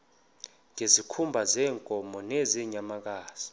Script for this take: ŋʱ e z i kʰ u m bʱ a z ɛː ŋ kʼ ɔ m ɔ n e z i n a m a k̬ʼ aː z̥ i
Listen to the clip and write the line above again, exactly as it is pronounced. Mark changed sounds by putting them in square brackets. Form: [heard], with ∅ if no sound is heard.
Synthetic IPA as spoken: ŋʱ e z i kʰ u m bʱ a z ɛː ŋ kʼ ɔ m ɔ n e z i [ɲ] a m a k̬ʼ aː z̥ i